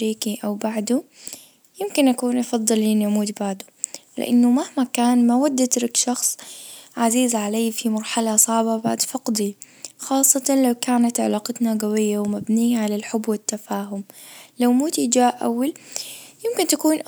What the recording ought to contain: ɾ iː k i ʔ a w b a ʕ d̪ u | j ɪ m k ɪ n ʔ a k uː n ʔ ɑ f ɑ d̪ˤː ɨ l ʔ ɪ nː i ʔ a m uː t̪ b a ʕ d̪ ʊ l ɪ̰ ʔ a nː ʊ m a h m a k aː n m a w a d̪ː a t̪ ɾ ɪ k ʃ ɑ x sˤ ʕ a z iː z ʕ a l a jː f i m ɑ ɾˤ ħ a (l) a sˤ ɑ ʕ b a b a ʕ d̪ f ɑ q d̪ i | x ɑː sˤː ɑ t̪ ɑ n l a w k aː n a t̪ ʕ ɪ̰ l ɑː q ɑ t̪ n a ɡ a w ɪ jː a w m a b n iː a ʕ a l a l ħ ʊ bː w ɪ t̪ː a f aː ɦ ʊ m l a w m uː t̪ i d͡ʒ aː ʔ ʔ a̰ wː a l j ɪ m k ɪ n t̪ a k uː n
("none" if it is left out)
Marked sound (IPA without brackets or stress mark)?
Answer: l